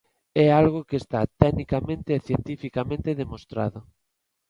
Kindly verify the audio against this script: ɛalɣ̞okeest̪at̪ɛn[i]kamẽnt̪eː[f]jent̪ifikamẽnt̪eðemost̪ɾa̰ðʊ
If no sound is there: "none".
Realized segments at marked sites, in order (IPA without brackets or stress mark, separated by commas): i, θ